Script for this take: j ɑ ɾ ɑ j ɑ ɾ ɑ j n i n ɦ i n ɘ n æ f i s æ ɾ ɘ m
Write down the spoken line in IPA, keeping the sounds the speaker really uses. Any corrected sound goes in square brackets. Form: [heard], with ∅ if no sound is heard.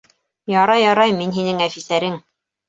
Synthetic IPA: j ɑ ɾ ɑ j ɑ ɾ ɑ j [m] i n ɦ i n ɘ [ŋ] æ f i s æ ɾ ɘ [ŋ]